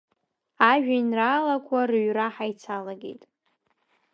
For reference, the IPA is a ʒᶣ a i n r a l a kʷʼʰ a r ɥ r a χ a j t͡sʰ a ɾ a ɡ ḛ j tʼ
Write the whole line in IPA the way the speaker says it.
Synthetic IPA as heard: a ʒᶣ a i n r a l a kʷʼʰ a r ɥ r a ħ a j t͡sʰ a l a ɡ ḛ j tʼ